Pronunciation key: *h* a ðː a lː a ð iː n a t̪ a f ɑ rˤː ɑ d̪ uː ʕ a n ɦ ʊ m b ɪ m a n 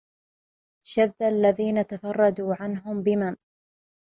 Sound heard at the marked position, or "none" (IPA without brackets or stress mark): ʃ